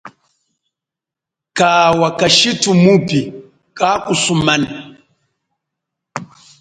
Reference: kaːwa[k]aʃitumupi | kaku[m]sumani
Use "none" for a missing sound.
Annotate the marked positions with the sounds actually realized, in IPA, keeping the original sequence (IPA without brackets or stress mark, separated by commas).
k, none